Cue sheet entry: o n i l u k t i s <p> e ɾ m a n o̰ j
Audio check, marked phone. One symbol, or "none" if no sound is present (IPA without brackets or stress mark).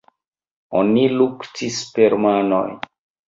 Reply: p